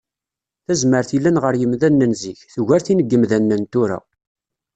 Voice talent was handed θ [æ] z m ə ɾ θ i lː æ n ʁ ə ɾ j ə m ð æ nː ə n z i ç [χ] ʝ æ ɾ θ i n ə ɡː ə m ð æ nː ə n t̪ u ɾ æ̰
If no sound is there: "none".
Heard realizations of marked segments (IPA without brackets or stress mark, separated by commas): æ, θ